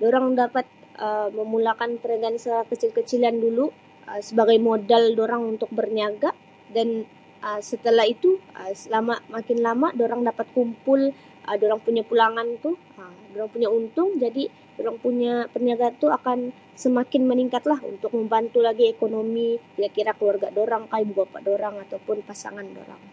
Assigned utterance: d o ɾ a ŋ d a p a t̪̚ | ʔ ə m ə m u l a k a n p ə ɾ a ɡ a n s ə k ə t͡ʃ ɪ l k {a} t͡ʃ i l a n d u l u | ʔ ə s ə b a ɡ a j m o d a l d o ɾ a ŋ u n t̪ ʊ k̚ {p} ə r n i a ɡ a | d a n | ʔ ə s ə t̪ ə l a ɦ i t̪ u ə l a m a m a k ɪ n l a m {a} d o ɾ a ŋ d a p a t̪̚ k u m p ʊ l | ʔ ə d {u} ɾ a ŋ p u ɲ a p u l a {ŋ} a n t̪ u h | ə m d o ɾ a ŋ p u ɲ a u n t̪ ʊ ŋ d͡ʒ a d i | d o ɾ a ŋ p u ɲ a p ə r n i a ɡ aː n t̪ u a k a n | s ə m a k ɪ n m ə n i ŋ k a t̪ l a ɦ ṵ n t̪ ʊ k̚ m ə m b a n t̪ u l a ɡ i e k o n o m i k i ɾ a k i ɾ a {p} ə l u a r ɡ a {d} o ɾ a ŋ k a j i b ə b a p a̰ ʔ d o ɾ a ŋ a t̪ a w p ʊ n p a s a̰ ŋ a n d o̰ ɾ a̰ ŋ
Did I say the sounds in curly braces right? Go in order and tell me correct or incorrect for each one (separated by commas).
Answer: incorrect, incorrect, correct, incorrect, correct, incorrect, correct